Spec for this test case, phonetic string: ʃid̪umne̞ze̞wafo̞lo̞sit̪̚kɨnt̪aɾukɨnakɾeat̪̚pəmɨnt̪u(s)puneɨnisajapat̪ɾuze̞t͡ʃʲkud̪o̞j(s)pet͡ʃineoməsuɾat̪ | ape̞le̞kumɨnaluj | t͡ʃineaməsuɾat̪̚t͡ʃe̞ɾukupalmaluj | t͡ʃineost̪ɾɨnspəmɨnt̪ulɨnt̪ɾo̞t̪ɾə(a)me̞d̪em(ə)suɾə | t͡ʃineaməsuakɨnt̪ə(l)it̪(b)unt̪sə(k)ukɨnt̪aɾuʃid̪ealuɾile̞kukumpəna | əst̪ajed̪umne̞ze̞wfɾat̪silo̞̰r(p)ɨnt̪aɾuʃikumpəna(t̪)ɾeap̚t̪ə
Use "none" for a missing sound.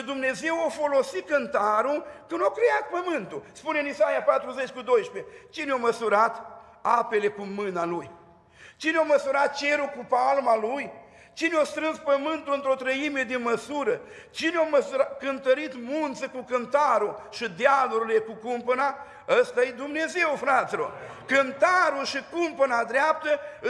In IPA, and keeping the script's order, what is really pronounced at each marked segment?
s, ʃ, i, ə, ɾ, m, k, k, d̪

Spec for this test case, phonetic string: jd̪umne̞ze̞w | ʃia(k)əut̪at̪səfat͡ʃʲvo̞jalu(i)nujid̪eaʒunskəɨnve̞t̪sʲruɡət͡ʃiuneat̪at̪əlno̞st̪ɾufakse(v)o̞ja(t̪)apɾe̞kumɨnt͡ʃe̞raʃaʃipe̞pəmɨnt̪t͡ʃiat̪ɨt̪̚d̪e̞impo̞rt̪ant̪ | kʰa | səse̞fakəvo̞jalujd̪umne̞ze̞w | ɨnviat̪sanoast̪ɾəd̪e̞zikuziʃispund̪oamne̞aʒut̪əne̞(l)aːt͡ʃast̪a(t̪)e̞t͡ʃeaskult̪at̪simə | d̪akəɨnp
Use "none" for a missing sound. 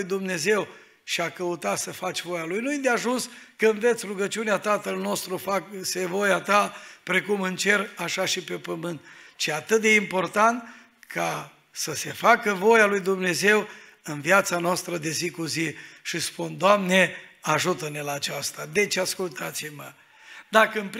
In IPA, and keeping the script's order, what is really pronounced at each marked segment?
k, j, v, t̪, l, d̪

